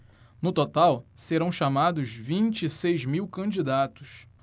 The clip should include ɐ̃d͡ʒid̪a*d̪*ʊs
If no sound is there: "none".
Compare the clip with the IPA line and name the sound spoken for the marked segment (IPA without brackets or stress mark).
t̪